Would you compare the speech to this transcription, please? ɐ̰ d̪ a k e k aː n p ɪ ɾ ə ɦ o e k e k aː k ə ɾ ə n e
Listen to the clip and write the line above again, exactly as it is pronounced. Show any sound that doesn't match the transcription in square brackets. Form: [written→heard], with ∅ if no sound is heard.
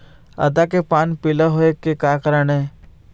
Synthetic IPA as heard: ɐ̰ d̪ a k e [k→p] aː n p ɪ [ɾ→l] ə ɦ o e k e k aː k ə ɾ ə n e